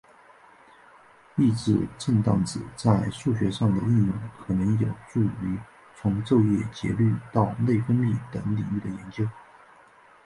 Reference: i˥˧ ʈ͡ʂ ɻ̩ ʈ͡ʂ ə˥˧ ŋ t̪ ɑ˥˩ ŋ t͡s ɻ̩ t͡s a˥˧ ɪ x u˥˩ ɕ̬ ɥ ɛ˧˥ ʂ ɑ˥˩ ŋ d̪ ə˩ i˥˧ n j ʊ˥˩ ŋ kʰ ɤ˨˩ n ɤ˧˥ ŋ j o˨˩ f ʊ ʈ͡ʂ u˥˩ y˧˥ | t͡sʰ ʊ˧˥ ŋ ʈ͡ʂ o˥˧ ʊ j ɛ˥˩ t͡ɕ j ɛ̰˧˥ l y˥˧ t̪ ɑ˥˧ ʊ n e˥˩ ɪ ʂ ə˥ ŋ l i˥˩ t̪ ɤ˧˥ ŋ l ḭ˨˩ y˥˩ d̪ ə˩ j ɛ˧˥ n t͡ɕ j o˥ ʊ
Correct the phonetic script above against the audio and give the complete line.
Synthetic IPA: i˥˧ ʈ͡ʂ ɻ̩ ʈ͡ʂ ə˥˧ ŋ t̪ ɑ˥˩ ŋ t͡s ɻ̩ t͡s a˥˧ ɪ ʂ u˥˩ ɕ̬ ɥ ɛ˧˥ ʂ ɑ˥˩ ŋ d̪ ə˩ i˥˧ n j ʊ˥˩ ŋ kʰ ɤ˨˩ n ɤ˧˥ ŋ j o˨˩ ʊ ʈ͡ʂ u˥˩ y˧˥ | t͡sʰ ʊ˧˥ ŋ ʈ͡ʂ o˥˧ ʊ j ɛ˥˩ t͡ɕ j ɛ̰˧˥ l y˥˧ t̪ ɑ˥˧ ʊ n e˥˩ ɪ f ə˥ n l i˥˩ t̪ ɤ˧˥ ŋ l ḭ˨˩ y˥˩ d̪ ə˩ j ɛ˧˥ n t͡ɕ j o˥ ʊ